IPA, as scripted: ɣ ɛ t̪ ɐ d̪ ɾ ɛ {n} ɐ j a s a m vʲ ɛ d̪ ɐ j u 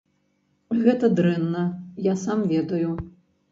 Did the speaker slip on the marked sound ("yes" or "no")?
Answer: yes